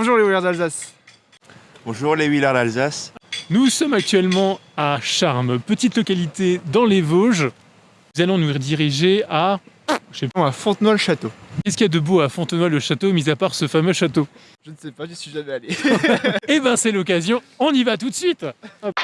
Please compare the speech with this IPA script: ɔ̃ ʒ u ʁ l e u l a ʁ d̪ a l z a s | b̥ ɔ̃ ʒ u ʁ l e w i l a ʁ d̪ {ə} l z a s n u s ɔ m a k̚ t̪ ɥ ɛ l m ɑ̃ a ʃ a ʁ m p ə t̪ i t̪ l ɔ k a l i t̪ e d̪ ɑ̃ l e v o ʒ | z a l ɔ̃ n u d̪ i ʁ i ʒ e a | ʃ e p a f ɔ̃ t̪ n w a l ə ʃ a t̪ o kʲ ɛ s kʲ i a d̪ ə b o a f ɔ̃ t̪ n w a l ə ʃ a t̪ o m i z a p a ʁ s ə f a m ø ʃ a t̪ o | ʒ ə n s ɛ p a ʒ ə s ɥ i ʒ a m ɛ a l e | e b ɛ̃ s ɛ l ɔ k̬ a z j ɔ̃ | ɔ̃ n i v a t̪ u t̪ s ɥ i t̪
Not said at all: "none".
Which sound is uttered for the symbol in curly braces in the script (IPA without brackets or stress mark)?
a